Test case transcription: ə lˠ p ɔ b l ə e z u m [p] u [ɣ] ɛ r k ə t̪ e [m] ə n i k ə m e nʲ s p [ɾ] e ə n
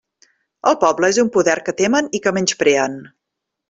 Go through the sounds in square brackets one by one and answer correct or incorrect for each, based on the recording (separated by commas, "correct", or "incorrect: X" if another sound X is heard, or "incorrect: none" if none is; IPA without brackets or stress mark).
correct, incorrect: ð, correct, correct